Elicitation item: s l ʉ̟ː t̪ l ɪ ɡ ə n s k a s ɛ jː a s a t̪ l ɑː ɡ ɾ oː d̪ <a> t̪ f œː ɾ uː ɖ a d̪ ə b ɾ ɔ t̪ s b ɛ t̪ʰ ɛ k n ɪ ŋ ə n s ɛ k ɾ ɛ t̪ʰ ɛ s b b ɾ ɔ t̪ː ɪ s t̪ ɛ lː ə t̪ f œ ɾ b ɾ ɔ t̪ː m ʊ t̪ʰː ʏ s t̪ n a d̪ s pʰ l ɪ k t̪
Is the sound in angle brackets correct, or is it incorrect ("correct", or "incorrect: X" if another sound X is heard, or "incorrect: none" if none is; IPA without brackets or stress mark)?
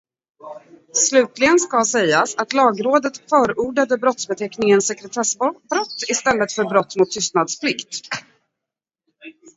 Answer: incorrect: ə